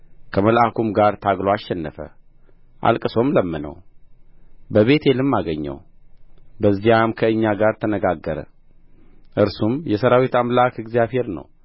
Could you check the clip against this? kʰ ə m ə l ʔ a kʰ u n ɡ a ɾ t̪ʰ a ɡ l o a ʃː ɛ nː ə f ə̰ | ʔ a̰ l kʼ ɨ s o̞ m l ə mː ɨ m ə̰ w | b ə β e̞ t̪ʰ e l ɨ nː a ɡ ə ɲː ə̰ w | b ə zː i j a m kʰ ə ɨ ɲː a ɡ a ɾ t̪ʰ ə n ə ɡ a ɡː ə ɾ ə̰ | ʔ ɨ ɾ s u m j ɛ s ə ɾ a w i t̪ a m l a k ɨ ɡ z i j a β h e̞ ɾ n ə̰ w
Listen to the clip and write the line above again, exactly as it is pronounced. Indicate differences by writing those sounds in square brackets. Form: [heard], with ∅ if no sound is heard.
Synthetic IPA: kʰ ə m ə l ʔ a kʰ u [m] ɡ a ɾ t̪ʰ a ɡ l o a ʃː ɛ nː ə f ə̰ | ʔ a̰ l kʼ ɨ s o̞ m l ə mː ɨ [n] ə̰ w | b ə β e̞ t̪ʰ e l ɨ [mː] a ɡ ə ɲː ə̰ w | b ə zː i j a m kʰ ə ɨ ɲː a ɡ a ɾ t̪ʰ ə n ə ɡ a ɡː ə ɾ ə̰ | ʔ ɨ ɾ s u m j ɛ s ə ɾ a w i t̪ a m l a k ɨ ɡ z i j a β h e̞ ɾ n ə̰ w